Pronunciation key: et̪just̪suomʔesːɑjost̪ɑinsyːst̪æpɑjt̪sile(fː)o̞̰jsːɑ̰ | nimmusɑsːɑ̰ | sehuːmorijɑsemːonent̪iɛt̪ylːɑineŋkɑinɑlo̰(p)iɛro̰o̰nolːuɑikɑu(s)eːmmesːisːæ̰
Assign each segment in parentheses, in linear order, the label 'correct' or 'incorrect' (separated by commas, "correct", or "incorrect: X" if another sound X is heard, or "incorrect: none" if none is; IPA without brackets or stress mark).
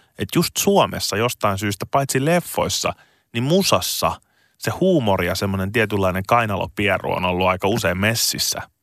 correct, correct, correct